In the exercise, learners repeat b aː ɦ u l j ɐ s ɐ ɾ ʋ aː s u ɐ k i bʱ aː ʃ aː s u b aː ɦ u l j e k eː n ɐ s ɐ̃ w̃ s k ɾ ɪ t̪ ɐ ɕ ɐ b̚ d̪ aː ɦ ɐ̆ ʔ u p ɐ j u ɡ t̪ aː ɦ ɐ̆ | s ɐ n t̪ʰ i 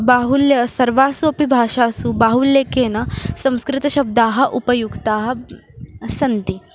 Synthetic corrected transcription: b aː ɦ u l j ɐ s ɐ ɾ ʋ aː s u ɐ p i bʱ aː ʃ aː s u b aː ɦ u l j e k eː n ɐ s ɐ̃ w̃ s k ɾ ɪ t̪ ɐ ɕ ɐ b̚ d̪ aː ɦ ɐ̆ ʔ u p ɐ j u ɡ t̪ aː ɦ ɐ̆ | s ɐ n t̪ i